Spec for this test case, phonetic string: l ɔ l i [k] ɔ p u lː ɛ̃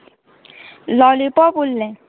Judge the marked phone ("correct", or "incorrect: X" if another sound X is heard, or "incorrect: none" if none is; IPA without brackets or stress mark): incorrect: p